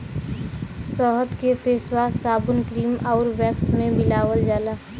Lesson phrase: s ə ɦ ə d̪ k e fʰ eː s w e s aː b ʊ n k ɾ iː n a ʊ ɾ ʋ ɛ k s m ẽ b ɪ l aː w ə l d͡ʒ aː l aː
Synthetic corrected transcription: s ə ɦ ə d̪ k e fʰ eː s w a s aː b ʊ n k ɾ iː m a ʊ ɾ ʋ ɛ k s m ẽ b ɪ l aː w ə l d͡ʒ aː l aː